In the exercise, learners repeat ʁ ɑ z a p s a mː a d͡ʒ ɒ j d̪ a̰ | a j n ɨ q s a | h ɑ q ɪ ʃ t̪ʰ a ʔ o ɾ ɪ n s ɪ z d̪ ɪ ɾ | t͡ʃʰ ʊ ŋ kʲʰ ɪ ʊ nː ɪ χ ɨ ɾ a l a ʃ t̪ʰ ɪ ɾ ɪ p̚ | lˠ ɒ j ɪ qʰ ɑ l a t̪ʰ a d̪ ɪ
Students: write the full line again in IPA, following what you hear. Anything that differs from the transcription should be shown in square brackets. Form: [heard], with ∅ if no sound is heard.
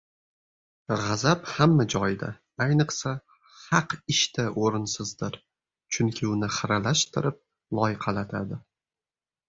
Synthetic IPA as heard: ʁ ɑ z a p [h] a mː a d͡ʒ ɒ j d̪ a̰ | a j n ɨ q s a | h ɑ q ɪ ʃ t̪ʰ a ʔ o ɾ ɪ n s ɪ z d̪ ɪ ɾ | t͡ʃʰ ʊ ŋ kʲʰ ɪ ʊ [n] ɪ χ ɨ ɾ a l a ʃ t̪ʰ ɪ ɾ ɪ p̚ | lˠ ɒ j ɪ qʰ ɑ l a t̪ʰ a d̪ ɪ